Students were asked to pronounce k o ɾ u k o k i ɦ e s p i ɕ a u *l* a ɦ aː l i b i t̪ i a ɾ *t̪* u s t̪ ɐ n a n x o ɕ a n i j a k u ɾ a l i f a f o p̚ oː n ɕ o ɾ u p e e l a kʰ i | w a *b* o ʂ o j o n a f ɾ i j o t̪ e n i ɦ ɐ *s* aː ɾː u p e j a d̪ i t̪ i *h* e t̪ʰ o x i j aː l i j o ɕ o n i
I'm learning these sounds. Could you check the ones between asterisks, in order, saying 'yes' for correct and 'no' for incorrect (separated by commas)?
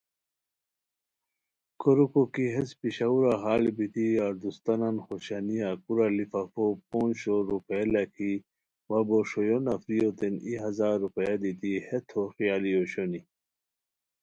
no, no, yes, no, yes